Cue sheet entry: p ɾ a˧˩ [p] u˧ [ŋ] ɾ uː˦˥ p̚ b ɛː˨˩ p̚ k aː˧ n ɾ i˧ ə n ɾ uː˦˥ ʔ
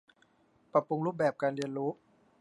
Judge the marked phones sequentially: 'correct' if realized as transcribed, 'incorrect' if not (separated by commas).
correct, correct